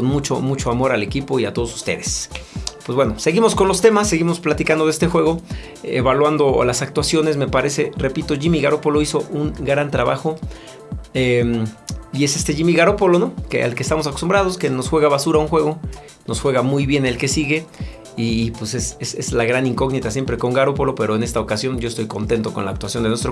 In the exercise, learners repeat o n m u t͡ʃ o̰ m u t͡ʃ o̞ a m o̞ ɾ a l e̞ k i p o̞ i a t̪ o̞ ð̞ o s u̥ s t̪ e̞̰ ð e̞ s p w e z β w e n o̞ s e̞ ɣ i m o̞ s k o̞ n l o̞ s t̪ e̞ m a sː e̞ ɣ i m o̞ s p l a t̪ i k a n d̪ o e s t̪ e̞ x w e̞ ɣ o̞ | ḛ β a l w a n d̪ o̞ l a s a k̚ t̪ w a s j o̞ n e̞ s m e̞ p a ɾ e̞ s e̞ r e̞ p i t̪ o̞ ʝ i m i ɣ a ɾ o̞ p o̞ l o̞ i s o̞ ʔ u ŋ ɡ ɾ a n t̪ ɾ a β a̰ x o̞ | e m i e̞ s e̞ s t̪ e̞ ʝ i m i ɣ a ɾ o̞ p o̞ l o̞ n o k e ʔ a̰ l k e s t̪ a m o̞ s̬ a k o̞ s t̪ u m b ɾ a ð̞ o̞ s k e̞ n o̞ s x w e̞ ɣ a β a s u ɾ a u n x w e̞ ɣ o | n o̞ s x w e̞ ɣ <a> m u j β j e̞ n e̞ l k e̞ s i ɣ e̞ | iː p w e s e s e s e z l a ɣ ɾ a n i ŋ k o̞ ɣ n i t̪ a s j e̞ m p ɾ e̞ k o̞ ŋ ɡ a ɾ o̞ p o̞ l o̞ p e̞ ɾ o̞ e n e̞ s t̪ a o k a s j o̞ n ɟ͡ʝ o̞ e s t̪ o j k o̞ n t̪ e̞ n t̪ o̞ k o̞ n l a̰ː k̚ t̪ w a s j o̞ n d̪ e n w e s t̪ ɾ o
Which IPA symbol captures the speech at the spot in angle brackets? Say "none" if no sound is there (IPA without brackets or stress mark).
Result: a